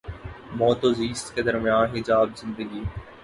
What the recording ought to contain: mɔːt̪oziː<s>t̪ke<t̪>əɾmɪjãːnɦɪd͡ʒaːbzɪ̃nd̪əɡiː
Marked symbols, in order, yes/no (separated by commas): yes, no